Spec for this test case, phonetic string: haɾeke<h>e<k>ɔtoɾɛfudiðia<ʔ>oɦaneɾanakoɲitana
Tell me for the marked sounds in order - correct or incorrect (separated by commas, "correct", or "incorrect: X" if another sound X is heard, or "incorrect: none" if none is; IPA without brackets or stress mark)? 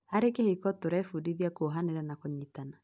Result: correct, correct, incorrect: k